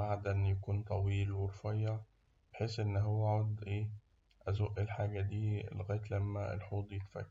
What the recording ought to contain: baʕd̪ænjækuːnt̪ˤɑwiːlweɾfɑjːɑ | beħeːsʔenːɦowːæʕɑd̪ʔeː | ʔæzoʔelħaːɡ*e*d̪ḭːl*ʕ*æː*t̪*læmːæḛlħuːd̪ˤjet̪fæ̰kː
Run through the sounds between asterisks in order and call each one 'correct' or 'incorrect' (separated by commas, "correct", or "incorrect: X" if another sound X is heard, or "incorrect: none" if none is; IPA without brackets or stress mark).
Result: incorrect: æ, incorrect: ɣ, correct